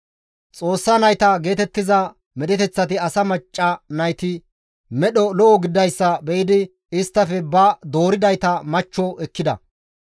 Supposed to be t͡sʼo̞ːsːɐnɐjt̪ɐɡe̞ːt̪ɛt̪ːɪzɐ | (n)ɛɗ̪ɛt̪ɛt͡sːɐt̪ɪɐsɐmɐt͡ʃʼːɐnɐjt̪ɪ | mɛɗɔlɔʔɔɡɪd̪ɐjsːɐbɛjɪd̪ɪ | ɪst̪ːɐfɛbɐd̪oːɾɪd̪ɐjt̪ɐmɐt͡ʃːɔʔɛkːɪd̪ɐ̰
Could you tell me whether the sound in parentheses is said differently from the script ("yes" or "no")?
yes